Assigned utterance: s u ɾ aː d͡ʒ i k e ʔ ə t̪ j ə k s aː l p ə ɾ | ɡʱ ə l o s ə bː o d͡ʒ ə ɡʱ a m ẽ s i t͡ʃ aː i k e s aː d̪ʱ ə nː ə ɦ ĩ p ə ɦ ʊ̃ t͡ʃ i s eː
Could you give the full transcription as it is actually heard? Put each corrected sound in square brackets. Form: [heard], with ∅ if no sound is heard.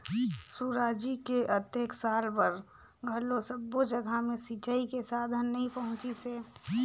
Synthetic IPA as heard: s u ɾ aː d͡ʒ i k e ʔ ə t̪ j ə k s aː l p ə ɾ | ɡʱ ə l o s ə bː o d͡ʒ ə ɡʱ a m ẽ s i t͡ʃ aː i k e s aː d̪ʱ ə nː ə ɦ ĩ p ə ɦ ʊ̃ t͡ʃ i s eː